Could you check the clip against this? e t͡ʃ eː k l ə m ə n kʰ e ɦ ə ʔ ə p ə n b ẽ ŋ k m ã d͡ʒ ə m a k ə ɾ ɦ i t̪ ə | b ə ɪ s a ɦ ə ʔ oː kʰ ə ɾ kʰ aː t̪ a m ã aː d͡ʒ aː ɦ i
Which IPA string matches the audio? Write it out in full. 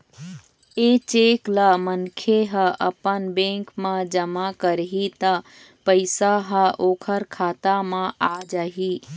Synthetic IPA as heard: e t͡ʃ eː k l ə m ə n kʰ e ɦ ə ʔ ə p ə n b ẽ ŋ k m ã d͡ʒ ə m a k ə ɾ ɦ i t̪ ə | p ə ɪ s a ɦ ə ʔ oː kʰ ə ɾ kʰ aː t̪ a m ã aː d͡ʒ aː ɦ i